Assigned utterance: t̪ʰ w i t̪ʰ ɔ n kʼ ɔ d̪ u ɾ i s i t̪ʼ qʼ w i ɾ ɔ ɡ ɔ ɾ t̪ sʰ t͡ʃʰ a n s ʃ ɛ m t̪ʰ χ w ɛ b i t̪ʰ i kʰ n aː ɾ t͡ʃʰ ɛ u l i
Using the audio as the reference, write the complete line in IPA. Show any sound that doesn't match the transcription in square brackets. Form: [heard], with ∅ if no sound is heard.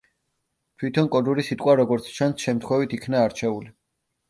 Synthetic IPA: t̪ʰ w i t̪ʰ ɔ n kʼ ɔ d̪ u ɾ i s i t̪ʼ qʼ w [a] ɾ ɔ ɡ ɔ ɾ t̪ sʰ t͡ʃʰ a n s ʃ ɛ m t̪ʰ χ w ɛ [v] i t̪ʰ i kʰ n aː ɾ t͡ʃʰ ɛ u l i